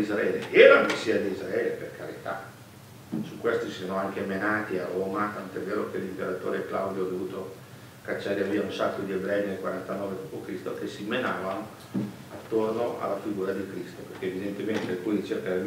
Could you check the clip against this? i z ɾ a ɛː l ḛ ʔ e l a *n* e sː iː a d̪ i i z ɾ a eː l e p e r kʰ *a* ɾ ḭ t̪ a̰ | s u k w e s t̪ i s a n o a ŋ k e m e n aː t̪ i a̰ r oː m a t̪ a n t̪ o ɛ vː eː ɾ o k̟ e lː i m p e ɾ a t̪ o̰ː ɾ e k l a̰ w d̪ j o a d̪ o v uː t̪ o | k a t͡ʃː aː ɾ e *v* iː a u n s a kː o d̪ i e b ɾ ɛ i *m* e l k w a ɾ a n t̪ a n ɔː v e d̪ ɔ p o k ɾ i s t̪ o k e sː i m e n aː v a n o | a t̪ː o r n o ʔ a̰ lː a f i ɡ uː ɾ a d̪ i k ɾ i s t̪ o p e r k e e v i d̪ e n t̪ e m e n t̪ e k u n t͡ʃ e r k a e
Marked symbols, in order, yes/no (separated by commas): no, yes, yes, no